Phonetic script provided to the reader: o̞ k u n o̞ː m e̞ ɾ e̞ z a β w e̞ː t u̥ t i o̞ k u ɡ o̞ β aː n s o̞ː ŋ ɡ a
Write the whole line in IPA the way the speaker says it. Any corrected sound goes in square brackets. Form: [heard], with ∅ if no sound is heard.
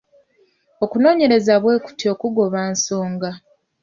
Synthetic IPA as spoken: o̞ k u n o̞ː [ɲ] e̞ ɾ e̞ z a β w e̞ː [k] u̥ t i o̞ k u ɡ o̞ β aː n s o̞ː ŋ ɡ a